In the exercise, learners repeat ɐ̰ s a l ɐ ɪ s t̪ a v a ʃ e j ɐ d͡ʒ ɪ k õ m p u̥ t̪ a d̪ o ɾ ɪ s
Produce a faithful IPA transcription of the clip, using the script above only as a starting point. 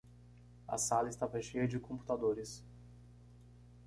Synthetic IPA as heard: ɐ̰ s a l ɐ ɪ s t̪ a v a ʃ e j ɐ d͡ʒ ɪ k õ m p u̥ t̪ a d̪ o ɾ ɪ s